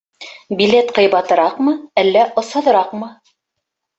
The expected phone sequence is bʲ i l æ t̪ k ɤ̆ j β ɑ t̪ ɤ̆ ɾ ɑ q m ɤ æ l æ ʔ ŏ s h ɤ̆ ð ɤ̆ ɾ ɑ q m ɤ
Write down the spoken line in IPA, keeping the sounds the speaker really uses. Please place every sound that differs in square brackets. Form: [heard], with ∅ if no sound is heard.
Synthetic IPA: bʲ i l [e] t̪ [q] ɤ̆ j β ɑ t̪ ɤ̆ ɾ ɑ q m ɤ æ [lː] æ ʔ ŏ s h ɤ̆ ð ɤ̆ ɾ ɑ q m ɤ